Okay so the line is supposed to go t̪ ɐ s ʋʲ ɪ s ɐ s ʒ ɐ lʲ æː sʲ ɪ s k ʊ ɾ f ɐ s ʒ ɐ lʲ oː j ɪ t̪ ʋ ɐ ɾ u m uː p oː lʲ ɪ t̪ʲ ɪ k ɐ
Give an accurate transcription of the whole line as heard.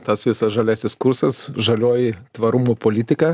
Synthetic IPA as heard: t̪ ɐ s ʋʲ ɪ s ɐ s ʒ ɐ lʲ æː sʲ ɪ s k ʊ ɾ s ɐ s ʒ ɐ lʲ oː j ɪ t̪ ʋ ɐ ɾ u m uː p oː lʲ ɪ t̪ʲ ɪ k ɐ